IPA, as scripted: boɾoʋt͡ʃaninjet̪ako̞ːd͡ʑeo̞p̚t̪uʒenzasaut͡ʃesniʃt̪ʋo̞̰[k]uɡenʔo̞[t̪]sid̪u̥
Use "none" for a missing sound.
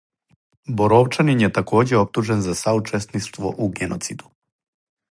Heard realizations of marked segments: ʔ, t̪

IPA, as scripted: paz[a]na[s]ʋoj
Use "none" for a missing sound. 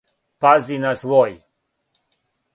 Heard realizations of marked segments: i, s

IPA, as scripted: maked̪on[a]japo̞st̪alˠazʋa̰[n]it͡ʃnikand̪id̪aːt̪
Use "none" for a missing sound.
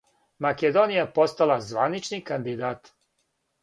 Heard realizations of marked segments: i, n

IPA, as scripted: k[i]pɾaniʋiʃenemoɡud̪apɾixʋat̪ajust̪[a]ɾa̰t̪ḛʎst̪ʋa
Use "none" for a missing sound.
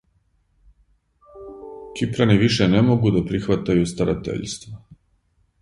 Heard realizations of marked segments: i, a

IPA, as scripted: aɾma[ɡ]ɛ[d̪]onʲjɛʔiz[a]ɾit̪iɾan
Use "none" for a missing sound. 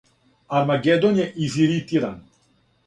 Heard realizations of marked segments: ɡ, d̪, i

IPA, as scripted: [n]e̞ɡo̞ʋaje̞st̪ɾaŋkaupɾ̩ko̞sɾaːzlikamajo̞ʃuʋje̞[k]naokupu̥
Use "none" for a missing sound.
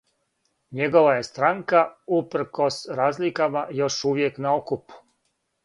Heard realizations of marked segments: ɲ, k

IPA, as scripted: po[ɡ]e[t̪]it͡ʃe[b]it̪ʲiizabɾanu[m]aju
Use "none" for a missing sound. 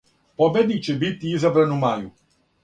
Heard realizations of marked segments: b, d̪, b, m

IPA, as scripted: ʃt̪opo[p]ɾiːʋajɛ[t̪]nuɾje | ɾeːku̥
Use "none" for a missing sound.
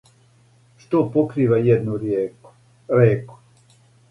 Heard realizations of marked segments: k, d̪

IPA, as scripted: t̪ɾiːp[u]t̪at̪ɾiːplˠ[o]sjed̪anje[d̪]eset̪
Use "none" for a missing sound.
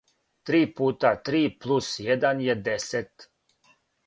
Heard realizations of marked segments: uː, u, d̪

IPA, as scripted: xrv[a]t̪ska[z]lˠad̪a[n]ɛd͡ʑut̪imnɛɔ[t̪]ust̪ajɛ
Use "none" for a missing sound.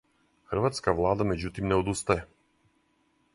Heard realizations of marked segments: a, v, m, d̪

